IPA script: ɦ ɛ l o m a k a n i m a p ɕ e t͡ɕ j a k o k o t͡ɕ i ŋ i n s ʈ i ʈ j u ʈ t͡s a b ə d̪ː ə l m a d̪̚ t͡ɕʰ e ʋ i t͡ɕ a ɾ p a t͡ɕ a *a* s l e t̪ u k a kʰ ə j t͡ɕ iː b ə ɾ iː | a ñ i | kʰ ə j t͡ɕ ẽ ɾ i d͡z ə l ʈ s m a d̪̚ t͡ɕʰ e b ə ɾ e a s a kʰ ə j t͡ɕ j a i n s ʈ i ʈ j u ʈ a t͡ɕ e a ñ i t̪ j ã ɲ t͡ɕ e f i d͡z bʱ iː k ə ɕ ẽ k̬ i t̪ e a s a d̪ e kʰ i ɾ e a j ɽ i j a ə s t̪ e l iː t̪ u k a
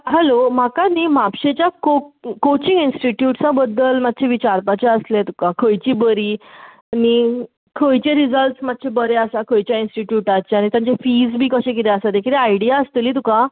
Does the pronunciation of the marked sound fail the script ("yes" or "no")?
yes